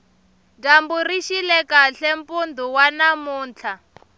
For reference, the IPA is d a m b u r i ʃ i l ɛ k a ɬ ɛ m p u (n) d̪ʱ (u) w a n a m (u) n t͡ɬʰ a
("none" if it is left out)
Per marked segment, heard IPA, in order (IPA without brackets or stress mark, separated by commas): n, u, uː